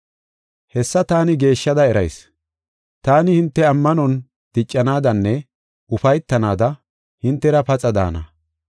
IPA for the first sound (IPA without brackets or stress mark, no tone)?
h